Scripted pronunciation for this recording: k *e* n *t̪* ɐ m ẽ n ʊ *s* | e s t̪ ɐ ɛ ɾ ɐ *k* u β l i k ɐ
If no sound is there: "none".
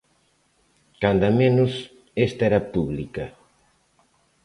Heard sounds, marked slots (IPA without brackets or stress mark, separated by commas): a, d̪, s, p